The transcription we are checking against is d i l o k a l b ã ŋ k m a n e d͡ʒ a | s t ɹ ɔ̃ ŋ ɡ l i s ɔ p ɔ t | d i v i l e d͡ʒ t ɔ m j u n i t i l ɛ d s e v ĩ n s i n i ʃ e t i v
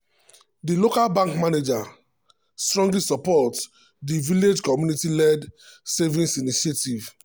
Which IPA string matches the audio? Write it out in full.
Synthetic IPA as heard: d i l o k a l b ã ŋ k m a n e d͡ʒ a | s t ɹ ɔ̃ ŋ ɡ l i s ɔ p ɔ t | d i v i l e d͡ʒ k ɔ m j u n i t i l ɛ d s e v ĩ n s i n i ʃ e t i v